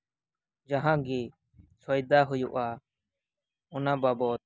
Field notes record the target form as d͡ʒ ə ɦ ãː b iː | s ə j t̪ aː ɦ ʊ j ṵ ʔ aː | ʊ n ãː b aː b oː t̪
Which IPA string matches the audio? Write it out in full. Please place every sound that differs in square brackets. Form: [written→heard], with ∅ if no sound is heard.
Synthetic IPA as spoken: d͡ʒ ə ɦ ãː [b→ɡ] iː | s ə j [t̪→d̪] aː ɦ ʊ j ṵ ʔ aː | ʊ n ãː b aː b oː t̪